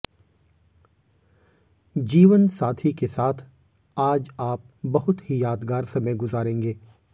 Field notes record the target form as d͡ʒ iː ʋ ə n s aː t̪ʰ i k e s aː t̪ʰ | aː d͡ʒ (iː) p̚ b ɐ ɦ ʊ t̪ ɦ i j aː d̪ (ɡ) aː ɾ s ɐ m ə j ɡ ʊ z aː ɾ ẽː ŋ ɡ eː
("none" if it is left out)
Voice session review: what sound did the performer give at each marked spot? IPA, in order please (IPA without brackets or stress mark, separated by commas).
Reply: aː, ɡ